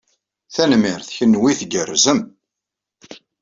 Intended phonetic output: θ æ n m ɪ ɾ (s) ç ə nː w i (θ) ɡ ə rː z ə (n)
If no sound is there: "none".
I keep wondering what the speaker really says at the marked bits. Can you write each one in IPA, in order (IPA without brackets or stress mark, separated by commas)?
θ, θ, m